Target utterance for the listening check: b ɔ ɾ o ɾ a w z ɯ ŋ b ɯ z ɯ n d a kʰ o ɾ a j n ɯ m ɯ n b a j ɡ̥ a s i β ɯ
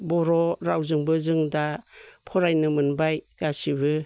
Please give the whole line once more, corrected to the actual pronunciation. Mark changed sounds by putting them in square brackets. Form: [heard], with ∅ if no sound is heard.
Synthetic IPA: b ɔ ɾ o ɾ a w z ɯ ŋ b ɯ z ɯ [ŋ] d a [pʰ] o ɾ a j n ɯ m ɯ n b a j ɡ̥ a s i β ɯ